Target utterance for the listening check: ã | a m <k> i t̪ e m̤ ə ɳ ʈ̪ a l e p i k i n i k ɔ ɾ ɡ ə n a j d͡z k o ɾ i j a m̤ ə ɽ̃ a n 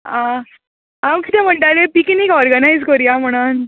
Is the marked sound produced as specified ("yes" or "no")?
yes